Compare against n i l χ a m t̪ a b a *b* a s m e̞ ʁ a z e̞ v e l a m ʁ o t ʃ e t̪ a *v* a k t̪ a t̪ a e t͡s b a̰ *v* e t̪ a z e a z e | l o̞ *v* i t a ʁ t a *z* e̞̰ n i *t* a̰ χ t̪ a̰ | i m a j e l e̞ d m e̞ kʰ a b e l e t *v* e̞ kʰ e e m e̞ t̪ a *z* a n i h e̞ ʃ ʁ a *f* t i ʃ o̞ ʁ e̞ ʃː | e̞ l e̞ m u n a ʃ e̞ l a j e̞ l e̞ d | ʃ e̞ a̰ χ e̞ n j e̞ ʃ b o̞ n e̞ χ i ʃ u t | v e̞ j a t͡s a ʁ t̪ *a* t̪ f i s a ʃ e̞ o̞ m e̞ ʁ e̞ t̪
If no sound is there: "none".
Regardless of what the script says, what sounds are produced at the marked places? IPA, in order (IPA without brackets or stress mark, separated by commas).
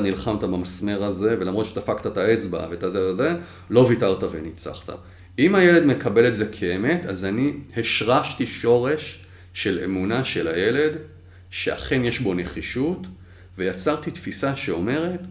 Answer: m, f, v, v, v, t͡s, z, z, ʃ, i